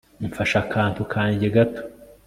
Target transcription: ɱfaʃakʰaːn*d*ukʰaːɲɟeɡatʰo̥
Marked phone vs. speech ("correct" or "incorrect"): incorrect